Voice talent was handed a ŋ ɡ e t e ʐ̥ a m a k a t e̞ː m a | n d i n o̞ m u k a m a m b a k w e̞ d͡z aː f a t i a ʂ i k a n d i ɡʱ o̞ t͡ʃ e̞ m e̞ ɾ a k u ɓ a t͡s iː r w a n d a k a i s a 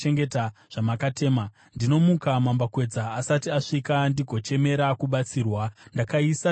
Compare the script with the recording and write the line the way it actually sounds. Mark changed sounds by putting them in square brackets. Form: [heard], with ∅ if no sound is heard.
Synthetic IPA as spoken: [e] ŋ ɡ e t [a] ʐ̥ a m a k a t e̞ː m a | n d i n o̞ m u k a m a m b a k w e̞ d͡z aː [s] a t i a ʂ i k a n d i ɡʱ o̞ t͡ʃ e̞ m e̞ ɾ a k u ɓ a t͡s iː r w a n d a k a i s a